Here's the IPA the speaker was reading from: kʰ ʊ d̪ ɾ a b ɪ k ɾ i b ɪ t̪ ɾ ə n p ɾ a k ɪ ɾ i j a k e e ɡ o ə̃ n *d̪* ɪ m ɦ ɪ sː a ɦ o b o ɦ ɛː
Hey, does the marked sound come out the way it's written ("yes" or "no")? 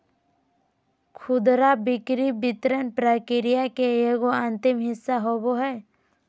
no